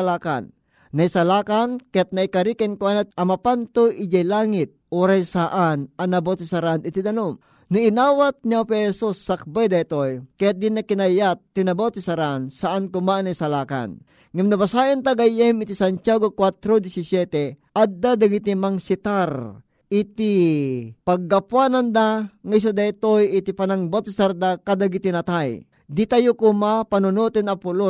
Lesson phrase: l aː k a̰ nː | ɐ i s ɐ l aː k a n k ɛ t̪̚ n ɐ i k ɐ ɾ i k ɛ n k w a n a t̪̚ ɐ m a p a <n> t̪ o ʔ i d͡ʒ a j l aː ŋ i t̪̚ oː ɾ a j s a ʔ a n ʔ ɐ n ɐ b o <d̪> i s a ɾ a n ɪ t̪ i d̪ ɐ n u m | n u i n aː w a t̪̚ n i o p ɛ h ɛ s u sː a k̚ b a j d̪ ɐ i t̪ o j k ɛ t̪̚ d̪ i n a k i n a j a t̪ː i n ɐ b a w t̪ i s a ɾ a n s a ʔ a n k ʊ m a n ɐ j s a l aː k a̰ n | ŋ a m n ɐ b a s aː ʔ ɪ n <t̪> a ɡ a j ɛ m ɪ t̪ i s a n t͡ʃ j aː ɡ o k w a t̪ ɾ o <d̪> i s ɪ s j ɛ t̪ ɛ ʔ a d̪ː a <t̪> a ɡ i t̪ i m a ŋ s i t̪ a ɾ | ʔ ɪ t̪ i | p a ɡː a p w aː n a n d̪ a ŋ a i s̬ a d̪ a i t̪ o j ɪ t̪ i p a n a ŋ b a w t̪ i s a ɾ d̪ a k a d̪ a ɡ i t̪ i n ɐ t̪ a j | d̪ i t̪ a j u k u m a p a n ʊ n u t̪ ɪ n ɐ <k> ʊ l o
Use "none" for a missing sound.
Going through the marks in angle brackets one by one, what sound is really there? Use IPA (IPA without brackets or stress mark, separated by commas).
n, t̪, t̪, d̪, d̪, p